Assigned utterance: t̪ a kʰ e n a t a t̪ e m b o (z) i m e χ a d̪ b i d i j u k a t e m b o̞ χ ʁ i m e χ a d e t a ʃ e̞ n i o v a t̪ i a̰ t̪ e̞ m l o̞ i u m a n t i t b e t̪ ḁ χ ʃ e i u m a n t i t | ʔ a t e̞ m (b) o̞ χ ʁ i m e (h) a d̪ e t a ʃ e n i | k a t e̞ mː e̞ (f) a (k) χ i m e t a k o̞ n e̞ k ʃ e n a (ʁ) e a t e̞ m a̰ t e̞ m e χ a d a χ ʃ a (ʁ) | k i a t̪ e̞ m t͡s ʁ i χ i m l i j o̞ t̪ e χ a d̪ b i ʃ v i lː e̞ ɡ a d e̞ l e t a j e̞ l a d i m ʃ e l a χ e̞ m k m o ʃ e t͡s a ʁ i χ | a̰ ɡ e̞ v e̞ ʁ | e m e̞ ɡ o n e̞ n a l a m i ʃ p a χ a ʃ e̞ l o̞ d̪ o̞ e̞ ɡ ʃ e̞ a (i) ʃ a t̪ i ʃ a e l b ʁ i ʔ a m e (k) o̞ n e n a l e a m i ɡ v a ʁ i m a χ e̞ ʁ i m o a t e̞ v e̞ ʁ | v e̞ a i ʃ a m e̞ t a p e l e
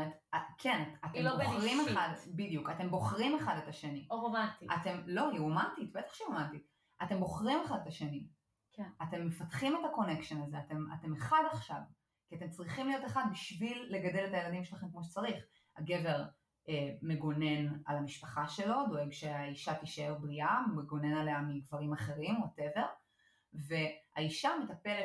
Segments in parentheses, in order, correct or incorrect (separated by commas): incorrect, correct, incorrect, correct, incorrect, incorrect, incorrect, correct, incorrect